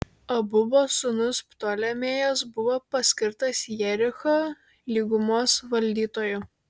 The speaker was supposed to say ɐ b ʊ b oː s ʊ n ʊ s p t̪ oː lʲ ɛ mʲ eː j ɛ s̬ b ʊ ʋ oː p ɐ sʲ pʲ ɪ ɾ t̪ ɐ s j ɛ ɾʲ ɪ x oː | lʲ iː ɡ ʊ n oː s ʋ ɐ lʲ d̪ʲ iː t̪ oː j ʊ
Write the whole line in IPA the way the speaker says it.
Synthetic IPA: ɐ b ʊ b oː s ʊ n ʊ s p t̪ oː lʲ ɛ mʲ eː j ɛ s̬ b ʊ ʋ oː p ɐ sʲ kʲ ɪ ɾ t̪ ɐ s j ɛ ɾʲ ɪ x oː | lʲ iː ɡ ʊ m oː s ʋ ɐ lʲ d̪ʲ iː t̪ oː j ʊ